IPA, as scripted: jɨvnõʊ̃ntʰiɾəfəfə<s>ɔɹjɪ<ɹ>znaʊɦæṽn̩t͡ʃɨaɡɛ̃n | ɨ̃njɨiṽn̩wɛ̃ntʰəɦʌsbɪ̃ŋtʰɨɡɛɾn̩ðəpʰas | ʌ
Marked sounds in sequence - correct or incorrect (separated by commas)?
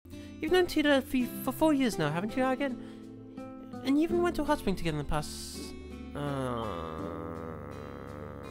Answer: incorrect, correct